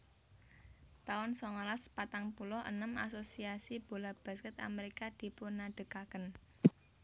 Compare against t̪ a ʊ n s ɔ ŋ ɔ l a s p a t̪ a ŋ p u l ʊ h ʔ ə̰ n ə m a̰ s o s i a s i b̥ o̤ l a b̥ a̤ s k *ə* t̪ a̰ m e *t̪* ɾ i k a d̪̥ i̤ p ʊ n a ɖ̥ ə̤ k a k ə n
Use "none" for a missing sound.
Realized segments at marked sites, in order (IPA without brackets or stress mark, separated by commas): ə, none